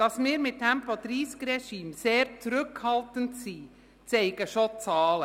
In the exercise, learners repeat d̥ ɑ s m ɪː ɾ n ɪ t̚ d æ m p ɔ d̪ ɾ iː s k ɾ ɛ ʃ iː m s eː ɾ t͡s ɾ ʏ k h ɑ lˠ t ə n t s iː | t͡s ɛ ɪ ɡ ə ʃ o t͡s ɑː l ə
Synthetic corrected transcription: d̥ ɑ s m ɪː ɾ m ɪ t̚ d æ m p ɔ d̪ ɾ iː s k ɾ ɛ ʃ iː m s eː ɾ t͡s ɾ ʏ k h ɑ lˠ t ə n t s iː | t͡s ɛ ɪ ɡ ə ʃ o t͡s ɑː l ə

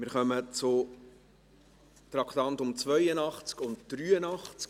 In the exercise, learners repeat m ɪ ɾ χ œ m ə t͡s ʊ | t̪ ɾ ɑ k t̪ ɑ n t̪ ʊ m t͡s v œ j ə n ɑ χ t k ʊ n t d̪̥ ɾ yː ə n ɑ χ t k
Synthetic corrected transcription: m ɪ ɾ χ œ m ə t͡s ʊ | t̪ ɾ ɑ k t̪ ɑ n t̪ ʊ m t͡s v œ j ə n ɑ χ t͡s k ʊ n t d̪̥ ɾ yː ə n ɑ χ t͡s k

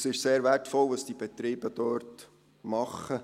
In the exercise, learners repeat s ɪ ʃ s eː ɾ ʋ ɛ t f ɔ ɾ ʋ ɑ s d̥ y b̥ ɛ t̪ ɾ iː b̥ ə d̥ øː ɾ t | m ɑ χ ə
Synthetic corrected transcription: s ɪ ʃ s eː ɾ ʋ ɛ t f ɔ l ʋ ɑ s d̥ i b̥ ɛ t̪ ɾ iː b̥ ə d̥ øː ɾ t | m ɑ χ ə

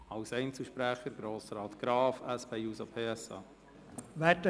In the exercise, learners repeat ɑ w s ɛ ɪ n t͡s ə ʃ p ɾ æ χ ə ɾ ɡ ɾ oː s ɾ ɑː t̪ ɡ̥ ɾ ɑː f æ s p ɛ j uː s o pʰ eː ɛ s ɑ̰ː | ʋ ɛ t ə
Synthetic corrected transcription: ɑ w s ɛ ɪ n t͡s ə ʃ p ɾ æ χ ə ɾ ɡ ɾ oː s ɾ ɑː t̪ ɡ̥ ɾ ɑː f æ s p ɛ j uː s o pʰ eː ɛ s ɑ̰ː | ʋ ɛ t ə

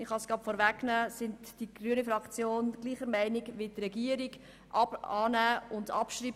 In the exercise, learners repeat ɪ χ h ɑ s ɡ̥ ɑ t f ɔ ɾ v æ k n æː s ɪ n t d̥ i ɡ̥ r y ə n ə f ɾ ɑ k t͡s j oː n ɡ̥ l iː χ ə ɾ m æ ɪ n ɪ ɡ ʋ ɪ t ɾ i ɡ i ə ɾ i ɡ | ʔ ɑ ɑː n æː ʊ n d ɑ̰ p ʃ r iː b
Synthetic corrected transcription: ɪ χ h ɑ s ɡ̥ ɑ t f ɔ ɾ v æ k n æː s ɪ n t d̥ i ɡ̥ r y ə n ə f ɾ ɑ k t͡s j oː n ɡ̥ l iː χ ə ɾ m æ ɪ n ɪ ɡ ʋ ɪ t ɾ ɛ ɡ i ə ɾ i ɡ | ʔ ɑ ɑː n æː ʊ n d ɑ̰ p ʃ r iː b

